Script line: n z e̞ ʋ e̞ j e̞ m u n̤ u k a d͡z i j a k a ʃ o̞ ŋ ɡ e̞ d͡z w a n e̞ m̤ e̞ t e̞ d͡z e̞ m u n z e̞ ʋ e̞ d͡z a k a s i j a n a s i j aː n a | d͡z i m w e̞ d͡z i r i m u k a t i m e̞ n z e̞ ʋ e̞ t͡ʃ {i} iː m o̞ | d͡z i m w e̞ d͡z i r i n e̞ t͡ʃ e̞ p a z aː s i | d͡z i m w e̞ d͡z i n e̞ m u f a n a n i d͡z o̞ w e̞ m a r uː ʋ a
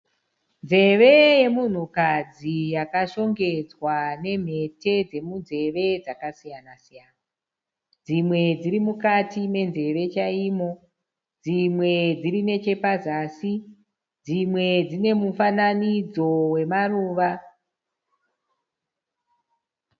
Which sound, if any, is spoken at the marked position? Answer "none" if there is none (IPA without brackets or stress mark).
a